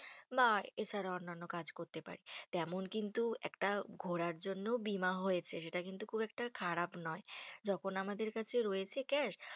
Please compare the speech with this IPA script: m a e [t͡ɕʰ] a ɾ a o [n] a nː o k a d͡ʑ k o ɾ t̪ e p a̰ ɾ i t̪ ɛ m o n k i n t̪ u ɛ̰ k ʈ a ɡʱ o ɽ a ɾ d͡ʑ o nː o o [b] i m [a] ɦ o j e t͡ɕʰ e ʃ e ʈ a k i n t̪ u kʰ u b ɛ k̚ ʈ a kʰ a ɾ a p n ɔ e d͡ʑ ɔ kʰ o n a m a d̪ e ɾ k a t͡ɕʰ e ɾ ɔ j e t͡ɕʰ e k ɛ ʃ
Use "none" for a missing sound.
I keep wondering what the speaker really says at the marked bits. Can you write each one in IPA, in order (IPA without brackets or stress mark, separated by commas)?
t͡ɕʰ, nː, b, a